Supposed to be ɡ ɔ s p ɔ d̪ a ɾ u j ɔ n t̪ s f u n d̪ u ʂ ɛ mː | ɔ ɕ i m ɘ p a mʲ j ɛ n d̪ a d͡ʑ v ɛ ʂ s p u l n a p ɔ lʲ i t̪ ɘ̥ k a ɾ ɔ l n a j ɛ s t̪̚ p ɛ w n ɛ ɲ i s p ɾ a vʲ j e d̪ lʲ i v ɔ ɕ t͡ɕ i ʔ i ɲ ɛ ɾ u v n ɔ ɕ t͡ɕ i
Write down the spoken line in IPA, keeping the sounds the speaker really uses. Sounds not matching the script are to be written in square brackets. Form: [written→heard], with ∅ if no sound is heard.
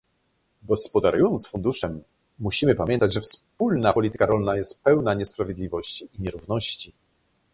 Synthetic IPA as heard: ɡ ɔ s p ɔ d̪ a ɾ u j ɔ n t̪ s f u n d̪ u ʂ ɛ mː | [ɔ→u] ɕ i m ɘ p a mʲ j ɛ n [d̪→t̪] a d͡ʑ [v→ʐ] ɛ [ʂ→f] s p u l n a p ɔ lʲ i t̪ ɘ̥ k a ɾ ɔ l n a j ɛ s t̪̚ p ɛ w n [ɛ→a] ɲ [i→ɛ] s p ɾ a vʲ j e d̪ lʲ i v ɔ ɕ t͡ɕ i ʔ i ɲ ɛ ɾ u v n ɔ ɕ t͡ɕ i

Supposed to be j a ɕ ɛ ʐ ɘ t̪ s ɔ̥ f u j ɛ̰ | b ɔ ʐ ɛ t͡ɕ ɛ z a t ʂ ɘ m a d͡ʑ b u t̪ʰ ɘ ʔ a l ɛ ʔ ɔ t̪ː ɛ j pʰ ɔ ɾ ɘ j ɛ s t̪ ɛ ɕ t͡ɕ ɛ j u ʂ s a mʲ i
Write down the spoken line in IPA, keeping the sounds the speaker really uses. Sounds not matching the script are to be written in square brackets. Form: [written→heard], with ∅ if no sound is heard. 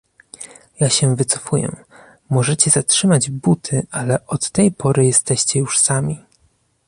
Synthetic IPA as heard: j a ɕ ɛ [ʐ→v] ɘ t̪ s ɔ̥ f u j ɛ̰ | [b→m] ɔ ʐ ɛ t͡ɕ ɛ z a t ʂ ɘ m a d͡ʑ b u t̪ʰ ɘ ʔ a l ɛ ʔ ɔ t̪ː ɛ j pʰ ɔ ɾ ɘ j ɛ s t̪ ɛ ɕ t͡ɕ ɛ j u ʂ s a mʲ i

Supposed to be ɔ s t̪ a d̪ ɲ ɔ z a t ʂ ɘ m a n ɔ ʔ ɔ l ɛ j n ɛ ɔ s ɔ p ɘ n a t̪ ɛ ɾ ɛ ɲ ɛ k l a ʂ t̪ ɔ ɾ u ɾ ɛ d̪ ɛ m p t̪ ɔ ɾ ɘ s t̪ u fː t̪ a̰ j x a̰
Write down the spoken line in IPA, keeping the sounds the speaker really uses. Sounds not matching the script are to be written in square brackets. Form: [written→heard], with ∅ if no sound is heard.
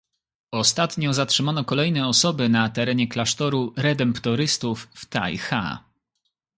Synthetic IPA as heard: ɔ s t̪ a [d̪→t̪] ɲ ɔ z a t ʂ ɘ m a n ɔ [ʔ→k] ɔ l ɛ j n ɛ ɔ s ɔ [p→b] ɘ n a t̪ ɛ ɾ ɛ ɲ ɛ k l a ʂ t̪ ɔ ɾ u ɾ ɛ d̪ ɛ m p t̪ ɔ ɾ ɘ s t̪ u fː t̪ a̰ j x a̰

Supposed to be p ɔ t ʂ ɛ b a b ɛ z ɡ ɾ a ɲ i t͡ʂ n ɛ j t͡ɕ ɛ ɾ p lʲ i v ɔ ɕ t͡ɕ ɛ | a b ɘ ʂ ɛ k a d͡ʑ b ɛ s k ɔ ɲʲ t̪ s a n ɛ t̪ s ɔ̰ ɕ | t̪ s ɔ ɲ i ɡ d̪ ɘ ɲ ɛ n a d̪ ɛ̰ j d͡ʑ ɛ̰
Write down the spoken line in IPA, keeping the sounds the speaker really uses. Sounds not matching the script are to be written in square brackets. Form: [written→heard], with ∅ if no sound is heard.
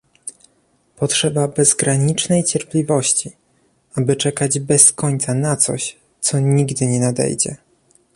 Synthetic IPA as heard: p ɔ t ʂ ɛ b a b ɛ z ɡ ɾ a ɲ i t͡ʂ n ɛ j t͡ɕ ɛ ɾ p lʲ i v ɔ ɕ t͡ɕ [ɛ→i] | a b ɘ [ʂ→t͡ʂ] ɛ k a d͡ʑ b ɛ s k ɔ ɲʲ t̪ s a n [ɛ→a] t̪ s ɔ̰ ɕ | t̪ s ɔ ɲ i ɡ d̪ ɘ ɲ ɛ n a d̪ ɛ̰ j d͡ʑ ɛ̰

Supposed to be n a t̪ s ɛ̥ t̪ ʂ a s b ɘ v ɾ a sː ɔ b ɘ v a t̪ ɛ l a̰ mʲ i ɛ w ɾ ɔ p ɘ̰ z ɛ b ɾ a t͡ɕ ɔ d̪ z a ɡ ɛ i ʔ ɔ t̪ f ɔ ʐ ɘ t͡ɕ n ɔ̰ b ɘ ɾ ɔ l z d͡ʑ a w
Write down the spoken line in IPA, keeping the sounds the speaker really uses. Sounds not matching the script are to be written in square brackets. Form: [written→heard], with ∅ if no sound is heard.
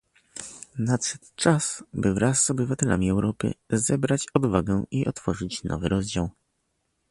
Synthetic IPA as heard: n a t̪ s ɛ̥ t̪ [ʂ→t͡ʂ] a s b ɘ v ɾ a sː ɔ b ɘ v a t̪ ɛ l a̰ mʲ i ɛ w ɾ ɔ p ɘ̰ z ɛ b ɾ a t͡ɕ ɔ d̪ [z→v] a ɡ ɛ i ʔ ɔ t̪ f ɔ ʐ ɘ t͡ɕ n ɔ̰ [b→v] ɘ ɾ ɔ [l→∅] z d͡ʑ a w

